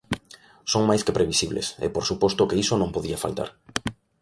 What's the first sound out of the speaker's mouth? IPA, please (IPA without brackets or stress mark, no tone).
s